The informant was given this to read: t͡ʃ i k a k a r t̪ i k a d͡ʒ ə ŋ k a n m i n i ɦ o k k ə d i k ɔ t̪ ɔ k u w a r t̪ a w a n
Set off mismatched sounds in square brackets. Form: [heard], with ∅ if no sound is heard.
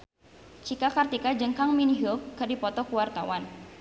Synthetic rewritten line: t͡ʃ i k a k a r t̪ i k a d͡ʒ ə ŋ k a [ŋ] m i n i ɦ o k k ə d i [p] ɔ t̪ ɔ k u w a r t̪ a w a n